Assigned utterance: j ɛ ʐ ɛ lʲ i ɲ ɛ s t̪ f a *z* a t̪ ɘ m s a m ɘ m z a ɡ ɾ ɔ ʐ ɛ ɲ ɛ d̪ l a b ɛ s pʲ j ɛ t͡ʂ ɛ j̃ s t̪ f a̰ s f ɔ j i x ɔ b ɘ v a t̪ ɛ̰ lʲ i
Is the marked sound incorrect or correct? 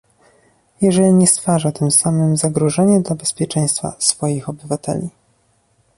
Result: incorrect